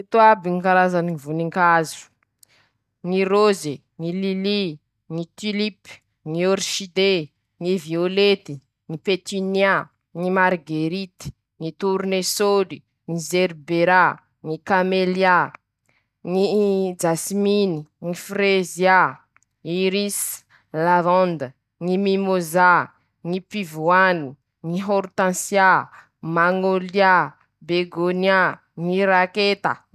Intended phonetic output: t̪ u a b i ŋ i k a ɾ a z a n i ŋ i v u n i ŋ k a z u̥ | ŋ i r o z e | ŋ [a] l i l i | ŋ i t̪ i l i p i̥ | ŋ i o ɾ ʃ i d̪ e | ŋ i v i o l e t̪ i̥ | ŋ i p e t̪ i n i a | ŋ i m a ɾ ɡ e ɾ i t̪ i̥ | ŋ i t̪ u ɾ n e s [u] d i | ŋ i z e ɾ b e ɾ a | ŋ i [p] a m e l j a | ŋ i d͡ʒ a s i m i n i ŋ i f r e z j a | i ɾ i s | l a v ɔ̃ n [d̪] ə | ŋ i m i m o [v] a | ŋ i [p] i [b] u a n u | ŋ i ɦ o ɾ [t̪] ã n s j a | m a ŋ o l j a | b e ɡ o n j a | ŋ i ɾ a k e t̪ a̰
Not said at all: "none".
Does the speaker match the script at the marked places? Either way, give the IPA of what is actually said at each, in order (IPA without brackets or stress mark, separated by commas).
i, o, k, d̪, z, p, v, t̪